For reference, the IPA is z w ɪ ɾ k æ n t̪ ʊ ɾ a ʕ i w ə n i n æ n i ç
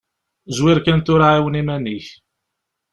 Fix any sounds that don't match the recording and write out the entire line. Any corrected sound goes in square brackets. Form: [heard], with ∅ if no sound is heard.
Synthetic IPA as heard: z w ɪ ɾ k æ n t̪ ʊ ɾ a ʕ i w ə n i [m] æ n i ç